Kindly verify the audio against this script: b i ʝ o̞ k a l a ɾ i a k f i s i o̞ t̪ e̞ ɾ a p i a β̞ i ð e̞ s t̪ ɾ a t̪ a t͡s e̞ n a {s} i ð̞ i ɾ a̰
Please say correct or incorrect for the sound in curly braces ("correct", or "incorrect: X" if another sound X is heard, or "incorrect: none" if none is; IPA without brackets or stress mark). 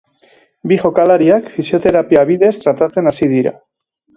correct